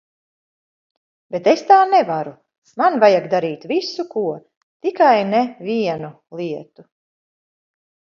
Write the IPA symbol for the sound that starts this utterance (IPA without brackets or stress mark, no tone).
b